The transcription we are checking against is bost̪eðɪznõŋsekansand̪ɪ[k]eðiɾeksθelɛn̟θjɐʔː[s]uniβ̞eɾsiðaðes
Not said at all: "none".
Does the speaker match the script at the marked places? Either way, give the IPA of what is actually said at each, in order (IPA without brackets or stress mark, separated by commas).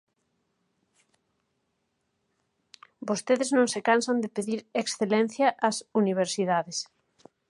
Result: p, s